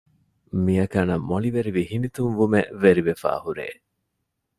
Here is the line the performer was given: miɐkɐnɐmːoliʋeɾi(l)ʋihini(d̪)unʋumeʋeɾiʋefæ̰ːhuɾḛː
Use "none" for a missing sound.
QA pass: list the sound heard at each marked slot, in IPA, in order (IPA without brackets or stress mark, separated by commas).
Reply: none, t̪